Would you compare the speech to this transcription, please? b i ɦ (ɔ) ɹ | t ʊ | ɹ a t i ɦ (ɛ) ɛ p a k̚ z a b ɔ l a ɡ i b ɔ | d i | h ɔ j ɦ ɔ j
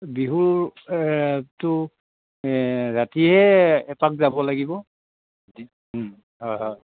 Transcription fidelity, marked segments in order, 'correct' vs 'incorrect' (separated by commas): incorrect, correct